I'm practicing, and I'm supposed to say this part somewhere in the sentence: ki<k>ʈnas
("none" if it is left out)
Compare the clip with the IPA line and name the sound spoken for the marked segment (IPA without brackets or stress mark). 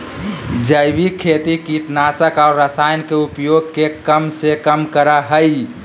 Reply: none